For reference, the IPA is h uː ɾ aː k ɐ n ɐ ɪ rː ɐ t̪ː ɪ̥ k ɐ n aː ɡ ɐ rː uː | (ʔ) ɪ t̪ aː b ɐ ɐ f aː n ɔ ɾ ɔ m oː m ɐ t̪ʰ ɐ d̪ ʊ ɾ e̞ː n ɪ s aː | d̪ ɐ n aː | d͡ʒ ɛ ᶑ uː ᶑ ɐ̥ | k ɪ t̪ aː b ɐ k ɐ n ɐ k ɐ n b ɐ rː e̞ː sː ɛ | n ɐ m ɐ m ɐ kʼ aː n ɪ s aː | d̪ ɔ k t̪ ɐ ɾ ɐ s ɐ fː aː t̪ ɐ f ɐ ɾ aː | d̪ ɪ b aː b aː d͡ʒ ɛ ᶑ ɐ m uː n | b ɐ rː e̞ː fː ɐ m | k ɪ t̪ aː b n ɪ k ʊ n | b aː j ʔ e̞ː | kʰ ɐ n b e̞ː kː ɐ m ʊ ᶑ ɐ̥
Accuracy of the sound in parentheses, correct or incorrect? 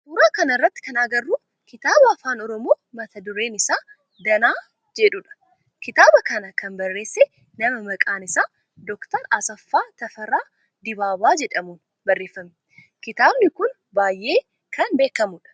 incorrect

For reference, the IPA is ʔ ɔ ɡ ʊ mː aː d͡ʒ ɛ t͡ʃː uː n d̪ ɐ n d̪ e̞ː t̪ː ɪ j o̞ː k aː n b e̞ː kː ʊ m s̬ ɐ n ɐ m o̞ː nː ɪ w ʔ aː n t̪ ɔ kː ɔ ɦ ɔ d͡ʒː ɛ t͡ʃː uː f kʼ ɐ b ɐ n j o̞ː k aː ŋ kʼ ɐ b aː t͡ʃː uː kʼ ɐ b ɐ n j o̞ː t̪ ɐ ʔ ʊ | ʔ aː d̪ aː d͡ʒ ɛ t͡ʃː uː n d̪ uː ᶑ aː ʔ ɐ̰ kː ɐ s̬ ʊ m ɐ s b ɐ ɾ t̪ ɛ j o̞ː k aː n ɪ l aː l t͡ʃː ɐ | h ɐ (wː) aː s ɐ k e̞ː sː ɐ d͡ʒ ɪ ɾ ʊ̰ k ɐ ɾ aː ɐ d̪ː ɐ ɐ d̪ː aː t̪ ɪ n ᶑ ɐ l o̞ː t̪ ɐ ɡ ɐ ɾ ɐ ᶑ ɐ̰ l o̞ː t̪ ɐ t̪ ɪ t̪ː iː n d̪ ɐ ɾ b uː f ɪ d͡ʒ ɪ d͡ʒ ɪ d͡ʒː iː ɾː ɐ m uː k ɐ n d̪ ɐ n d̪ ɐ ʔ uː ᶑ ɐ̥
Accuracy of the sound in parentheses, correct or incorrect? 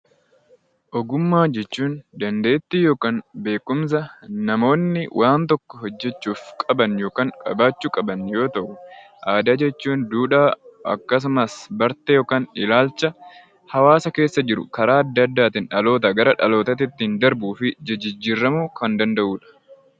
incorrect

